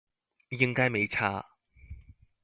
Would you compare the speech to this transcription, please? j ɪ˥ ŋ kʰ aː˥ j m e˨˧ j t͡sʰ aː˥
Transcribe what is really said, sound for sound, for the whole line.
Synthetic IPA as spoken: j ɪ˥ ŋ k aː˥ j m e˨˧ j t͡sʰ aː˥